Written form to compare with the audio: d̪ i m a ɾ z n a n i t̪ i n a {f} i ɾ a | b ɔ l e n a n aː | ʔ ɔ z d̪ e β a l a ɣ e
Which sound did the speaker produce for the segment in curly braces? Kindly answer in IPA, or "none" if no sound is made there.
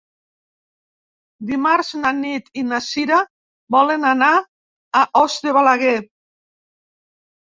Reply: s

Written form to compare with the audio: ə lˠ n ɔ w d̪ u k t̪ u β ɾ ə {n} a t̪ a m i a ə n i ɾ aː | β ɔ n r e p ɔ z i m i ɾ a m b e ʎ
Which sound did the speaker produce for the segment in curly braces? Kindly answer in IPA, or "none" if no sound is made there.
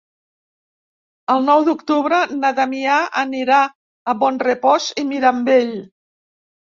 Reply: n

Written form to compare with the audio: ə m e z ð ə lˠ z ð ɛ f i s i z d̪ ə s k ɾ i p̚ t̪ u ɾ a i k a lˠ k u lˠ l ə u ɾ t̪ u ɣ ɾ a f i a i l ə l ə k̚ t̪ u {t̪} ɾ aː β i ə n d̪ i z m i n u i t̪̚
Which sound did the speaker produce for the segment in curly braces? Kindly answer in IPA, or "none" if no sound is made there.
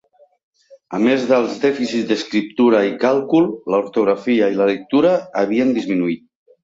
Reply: none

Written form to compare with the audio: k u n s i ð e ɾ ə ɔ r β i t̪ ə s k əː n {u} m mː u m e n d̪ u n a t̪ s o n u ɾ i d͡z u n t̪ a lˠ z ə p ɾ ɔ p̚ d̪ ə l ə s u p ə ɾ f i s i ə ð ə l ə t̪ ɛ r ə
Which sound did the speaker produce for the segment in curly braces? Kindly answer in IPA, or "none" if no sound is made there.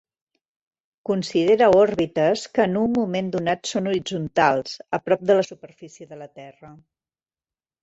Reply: u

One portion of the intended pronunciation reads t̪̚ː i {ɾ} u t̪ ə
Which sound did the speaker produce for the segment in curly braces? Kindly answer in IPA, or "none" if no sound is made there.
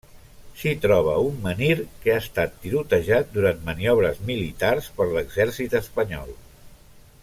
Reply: ɾ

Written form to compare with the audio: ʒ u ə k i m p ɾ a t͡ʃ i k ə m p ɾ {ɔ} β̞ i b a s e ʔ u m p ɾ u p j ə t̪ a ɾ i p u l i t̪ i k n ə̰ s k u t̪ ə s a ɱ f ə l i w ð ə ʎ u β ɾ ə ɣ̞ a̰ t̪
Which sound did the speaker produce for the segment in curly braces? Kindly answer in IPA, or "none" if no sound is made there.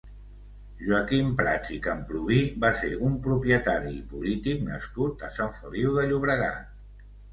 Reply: u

